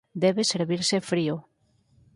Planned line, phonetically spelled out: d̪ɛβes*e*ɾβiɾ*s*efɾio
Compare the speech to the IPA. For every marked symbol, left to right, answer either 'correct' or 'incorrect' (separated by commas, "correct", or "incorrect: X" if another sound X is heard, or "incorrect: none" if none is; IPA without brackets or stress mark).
correct, correct